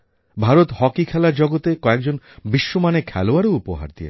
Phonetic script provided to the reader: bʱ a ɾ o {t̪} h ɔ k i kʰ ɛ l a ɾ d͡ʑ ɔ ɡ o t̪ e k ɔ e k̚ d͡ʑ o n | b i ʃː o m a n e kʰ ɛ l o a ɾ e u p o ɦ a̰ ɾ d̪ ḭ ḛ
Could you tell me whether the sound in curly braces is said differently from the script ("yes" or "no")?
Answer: no